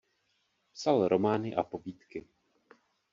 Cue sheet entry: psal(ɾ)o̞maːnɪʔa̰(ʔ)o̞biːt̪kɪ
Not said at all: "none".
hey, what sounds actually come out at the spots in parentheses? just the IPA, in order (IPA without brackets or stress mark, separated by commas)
ɾ, p